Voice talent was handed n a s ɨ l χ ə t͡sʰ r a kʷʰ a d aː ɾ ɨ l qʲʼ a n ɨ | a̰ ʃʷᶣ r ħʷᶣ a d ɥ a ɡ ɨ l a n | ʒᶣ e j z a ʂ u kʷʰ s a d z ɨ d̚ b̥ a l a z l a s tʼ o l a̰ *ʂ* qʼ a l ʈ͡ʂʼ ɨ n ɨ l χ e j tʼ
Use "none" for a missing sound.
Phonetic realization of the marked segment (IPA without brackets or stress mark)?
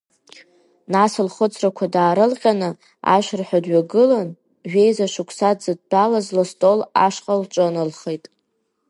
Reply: ʂ